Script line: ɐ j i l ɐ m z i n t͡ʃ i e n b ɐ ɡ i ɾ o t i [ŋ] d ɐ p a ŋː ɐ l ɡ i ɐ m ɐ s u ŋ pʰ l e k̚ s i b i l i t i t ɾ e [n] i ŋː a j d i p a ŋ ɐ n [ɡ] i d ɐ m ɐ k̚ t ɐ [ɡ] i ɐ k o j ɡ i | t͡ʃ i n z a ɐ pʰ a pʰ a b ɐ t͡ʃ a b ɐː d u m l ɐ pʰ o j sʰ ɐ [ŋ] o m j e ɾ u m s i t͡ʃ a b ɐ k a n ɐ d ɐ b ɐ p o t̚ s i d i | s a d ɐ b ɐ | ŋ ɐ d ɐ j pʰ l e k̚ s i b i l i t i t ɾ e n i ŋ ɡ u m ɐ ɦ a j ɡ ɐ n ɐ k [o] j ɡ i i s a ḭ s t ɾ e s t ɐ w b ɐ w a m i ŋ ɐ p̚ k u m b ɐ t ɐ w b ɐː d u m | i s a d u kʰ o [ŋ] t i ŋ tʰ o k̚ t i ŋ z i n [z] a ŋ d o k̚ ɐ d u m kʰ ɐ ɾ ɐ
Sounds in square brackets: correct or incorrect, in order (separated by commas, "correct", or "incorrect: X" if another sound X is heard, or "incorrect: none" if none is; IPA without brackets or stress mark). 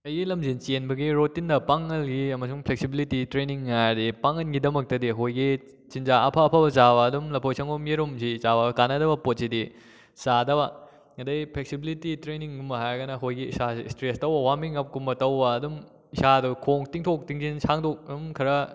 incorrect: n, correct, correct, incorrect: d, correct, correct, correct, incorrect: s